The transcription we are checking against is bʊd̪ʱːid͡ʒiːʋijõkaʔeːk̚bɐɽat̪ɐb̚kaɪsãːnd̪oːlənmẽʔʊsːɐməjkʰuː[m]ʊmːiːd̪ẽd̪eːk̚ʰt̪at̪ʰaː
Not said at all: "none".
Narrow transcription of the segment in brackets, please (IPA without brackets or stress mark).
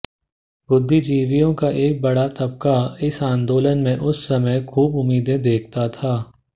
b